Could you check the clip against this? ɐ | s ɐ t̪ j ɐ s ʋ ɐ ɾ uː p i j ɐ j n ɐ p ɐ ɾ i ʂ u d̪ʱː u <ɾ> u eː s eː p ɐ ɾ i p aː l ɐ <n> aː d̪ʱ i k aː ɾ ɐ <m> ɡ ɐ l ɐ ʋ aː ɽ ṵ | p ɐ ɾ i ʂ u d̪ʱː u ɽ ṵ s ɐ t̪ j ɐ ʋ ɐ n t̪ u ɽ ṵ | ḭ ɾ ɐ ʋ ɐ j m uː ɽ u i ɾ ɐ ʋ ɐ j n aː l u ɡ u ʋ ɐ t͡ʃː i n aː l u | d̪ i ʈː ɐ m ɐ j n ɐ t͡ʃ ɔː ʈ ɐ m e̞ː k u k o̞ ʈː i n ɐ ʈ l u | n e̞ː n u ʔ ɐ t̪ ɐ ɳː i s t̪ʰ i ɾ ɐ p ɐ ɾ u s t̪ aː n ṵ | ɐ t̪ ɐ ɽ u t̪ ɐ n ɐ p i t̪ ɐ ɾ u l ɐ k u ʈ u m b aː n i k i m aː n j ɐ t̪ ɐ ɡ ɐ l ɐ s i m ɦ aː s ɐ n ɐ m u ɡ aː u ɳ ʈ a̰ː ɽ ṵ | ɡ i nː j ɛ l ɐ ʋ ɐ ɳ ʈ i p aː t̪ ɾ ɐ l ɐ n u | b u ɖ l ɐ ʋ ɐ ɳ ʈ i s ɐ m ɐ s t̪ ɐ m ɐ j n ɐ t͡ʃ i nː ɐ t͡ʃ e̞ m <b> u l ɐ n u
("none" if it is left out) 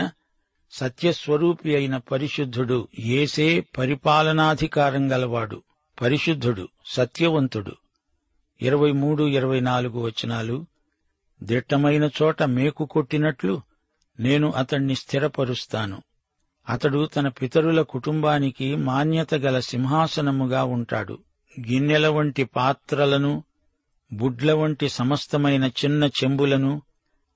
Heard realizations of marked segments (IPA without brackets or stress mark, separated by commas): ɽ, n, ŋ, b